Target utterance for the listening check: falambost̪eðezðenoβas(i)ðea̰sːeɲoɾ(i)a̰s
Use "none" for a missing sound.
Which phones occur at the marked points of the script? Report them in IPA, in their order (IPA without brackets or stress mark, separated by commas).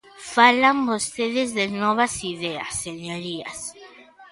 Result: i, i